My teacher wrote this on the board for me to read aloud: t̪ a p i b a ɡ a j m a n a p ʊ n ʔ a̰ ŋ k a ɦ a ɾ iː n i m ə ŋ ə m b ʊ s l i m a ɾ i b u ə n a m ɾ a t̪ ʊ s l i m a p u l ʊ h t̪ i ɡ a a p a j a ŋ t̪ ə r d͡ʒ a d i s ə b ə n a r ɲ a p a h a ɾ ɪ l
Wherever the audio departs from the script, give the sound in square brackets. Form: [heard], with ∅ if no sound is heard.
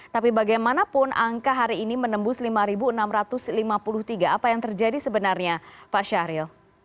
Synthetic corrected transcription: t̪ a p i b a ɡ a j m a n a p ʊ n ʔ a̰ ŋ k a ɦ a ɾ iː n i m ə [n] ə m b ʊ s l i m a ɾ i b u ə n a m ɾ a t̪ ʊ s l i m a p u l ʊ h t̪ i ɡ a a p a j a ŋ t̪ ə r d͡ʒ a d i s ə b ə n a r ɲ a p a [ʃ] a ɾ ɪ l